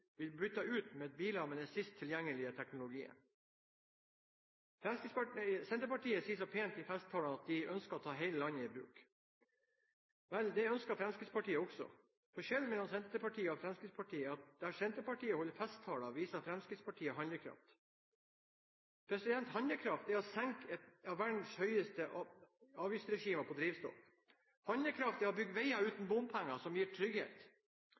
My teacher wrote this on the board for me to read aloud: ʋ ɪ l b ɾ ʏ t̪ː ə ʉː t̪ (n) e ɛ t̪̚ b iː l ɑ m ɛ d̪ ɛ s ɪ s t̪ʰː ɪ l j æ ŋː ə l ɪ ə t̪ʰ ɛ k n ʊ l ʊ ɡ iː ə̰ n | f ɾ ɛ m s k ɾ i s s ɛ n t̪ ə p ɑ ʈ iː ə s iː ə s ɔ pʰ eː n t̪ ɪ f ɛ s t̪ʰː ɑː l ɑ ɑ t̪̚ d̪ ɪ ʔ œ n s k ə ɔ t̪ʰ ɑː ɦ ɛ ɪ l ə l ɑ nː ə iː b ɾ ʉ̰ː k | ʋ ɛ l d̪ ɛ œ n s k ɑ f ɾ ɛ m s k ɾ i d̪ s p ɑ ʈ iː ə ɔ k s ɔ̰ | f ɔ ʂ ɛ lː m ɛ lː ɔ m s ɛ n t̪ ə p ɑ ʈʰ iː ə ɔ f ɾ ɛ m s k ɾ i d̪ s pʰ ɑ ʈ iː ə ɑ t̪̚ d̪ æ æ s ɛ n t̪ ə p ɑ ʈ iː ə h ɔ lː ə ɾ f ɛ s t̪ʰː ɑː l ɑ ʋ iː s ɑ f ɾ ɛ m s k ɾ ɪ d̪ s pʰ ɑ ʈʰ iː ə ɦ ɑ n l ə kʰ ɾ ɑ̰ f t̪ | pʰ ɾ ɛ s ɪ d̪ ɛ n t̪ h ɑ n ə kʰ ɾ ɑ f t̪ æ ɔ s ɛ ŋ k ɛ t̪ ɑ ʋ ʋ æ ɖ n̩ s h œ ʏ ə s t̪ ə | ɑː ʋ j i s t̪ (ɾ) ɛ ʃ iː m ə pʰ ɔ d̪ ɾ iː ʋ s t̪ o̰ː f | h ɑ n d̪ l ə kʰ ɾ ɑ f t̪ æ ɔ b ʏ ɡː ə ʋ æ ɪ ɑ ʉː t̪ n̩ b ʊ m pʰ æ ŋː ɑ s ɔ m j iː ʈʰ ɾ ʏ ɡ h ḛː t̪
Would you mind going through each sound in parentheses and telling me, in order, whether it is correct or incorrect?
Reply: incorrect: m, correct

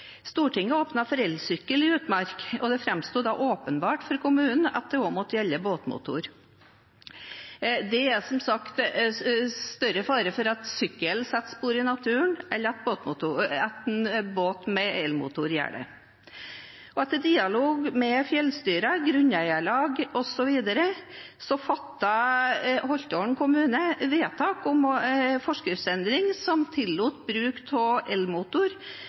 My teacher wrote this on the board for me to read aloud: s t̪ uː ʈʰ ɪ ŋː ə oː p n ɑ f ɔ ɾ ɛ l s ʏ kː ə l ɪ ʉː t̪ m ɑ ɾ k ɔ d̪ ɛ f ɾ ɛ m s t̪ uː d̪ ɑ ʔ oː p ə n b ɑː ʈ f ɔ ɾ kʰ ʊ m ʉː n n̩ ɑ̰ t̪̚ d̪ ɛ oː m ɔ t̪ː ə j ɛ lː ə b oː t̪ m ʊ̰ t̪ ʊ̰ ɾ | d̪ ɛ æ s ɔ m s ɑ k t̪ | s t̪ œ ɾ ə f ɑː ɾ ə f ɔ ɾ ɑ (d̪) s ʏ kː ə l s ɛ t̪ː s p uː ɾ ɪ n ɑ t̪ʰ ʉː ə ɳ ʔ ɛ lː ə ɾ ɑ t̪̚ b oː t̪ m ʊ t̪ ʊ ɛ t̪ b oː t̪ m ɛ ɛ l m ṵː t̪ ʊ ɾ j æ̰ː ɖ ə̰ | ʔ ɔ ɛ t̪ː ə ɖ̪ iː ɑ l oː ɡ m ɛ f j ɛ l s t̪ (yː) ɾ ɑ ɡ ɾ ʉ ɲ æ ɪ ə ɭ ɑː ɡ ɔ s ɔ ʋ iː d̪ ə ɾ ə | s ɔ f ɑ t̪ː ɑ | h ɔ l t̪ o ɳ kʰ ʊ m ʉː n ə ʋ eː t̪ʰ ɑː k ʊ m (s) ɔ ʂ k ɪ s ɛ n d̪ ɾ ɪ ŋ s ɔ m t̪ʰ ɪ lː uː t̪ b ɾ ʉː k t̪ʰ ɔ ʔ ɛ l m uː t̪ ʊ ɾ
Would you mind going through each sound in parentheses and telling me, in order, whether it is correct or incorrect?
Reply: incorrect: t̪, correct, incorrect: f

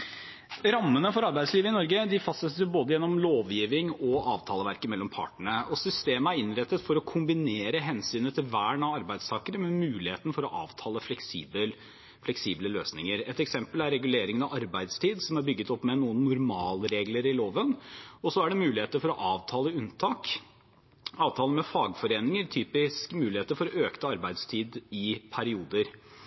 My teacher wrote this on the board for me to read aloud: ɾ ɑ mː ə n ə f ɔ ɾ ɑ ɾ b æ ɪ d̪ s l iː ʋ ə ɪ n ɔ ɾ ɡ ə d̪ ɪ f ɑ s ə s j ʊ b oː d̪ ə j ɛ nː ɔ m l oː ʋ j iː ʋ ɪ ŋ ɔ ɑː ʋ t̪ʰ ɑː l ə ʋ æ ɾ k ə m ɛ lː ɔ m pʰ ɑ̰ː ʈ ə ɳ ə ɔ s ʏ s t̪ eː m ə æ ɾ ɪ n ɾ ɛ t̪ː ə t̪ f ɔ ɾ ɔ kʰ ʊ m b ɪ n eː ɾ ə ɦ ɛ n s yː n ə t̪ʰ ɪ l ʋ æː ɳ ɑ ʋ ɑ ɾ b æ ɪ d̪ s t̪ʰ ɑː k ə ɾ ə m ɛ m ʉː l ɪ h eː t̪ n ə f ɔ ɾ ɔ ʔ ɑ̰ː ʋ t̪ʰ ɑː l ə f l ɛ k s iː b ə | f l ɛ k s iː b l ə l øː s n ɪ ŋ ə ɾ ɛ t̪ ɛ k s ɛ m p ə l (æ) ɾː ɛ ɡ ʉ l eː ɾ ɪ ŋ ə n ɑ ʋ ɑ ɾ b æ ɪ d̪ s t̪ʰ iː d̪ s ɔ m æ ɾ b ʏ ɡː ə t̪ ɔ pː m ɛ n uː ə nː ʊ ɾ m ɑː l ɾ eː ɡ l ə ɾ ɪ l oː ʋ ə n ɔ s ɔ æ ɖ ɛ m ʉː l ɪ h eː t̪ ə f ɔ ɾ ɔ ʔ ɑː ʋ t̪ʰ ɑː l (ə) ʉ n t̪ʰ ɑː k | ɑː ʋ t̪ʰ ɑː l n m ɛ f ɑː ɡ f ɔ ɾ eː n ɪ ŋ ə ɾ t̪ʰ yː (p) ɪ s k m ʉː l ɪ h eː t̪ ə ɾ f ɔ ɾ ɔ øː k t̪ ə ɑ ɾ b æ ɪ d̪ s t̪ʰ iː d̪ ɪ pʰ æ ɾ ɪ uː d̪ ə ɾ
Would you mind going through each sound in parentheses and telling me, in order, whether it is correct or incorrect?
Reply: correct, correct, correct

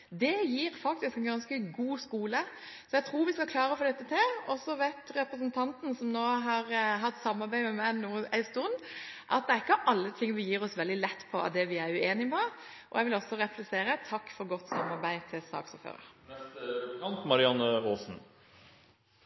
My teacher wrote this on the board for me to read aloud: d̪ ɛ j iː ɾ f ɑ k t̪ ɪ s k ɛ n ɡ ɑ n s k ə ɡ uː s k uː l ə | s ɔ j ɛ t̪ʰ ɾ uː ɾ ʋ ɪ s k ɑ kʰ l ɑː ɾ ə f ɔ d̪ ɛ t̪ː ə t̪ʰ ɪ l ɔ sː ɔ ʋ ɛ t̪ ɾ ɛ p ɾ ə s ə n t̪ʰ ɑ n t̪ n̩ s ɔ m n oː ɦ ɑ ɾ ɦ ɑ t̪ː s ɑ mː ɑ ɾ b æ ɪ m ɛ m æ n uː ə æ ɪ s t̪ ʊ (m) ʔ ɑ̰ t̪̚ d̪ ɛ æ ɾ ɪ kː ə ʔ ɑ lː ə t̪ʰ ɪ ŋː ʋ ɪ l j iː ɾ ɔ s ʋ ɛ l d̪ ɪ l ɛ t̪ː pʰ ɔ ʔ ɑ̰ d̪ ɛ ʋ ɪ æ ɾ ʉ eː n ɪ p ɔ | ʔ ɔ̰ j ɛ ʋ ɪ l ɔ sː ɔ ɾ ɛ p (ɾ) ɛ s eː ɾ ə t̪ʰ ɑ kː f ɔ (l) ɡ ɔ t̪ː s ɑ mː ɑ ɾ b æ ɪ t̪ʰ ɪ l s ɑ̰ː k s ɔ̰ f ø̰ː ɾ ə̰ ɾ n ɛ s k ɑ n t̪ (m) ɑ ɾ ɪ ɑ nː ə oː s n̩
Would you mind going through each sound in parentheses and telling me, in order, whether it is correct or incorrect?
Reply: incorrect: n, incorrect: l, incorrect: ɾ, correct

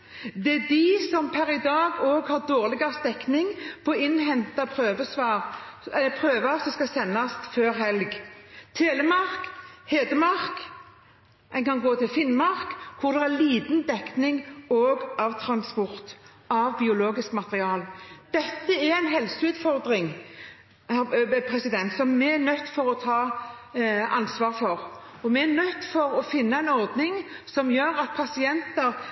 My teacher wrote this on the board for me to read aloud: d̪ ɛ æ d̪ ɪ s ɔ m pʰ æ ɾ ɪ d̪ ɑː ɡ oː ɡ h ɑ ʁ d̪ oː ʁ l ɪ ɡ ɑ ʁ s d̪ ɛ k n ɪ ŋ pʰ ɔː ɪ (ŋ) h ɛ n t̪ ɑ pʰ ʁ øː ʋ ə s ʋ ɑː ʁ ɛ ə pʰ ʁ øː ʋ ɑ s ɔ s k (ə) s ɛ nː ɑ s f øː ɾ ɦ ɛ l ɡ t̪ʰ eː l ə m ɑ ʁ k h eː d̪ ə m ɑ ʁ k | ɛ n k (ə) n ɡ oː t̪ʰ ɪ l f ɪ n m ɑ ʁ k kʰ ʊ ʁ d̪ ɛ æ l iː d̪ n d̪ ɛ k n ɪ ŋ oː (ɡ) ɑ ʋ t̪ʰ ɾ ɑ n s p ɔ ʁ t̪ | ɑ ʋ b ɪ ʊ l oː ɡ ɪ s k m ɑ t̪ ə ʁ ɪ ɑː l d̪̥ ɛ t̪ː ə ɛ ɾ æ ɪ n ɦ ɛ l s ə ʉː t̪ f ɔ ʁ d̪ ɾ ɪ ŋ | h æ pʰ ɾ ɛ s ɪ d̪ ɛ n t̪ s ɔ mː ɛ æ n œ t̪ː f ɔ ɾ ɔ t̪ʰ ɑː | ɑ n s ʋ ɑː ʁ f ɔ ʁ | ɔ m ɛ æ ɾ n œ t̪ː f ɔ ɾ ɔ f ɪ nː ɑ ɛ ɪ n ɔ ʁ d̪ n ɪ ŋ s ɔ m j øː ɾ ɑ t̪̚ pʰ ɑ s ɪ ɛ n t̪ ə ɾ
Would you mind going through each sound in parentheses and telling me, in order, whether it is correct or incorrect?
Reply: incorrect: n, incorrect: ɑ, incorrect: ɑ, correct

